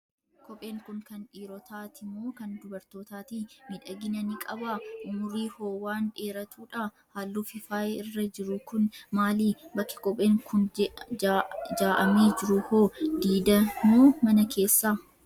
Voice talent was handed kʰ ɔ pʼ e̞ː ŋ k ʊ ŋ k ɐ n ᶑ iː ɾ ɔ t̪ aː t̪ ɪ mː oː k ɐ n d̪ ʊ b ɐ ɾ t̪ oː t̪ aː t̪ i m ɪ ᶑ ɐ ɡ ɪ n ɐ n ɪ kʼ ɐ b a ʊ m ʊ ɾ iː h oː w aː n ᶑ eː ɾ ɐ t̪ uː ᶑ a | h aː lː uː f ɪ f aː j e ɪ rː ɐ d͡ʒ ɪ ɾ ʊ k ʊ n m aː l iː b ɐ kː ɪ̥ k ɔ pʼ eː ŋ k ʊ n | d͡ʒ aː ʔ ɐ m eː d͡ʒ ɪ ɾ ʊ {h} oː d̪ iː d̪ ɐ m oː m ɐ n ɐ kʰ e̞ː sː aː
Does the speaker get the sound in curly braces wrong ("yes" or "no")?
no